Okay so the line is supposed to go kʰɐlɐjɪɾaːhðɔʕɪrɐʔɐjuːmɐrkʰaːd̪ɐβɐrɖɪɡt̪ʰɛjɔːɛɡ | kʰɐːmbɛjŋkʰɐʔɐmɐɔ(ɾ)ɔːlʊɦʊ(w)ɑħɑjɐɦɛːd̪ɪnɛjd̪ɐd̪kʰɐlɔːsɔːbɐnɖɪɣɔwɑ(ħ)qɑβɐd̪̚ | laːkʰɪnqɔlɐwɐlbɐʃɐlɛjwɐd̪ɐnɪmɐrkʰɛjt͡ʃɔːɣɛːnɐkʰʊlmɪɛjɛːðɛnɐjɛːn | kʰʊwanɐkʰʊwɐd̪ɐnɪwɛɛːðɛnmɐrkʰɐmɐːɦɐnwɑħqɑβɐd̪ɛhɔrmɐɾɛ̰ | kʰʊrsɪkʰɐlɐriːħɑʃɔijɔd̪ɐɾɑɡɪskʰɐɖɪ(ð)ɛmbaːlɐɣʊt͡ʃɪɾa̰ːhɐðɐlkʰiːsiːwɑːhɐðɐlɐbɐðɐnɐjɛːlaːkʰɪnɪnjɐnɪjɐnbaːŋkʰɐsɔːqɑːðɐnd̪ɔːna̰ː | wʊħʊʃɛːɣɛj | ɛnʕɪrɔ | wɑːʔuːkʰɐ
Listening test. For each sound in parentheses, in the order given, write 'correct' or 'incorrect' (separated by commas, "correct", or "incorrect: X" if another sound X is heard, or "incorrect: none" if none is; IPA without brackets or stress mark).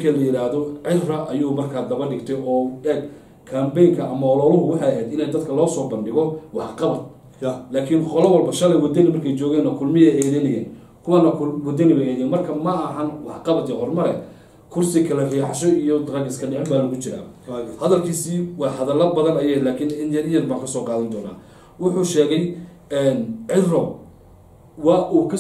incorrect: l, correct, correct, incorrect: ʕ